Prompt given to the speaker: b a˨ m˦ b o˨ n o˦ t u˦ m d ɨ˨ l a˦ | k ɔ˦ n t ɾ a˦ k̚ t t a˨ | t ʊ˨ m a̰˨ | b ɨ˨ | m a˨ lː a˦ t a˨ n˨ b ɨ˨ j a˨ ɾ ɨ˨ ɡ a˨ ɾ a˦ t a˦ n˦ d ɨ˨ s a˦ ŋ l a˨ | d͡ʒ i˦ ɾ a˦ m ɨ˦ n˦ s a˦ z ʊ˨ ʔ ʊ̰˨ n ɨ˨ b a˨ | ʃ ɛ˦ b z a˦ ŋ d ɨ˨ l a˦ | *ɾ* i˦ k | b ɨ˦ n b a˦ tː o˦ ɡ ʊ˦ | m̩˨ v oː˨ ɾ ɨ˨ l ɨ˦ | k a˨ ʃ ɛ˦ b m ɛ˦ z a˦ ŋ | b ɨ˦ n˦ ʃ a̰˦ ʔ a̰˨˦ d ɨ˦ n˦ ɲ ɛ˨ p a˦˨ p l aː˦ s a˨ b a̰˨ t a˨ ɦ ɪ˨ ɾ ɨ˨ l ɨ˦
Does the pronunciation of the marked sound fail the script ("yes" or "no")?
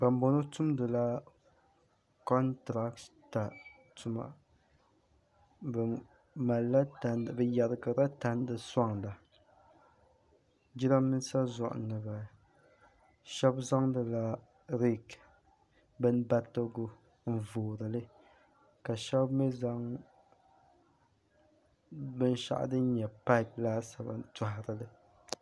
no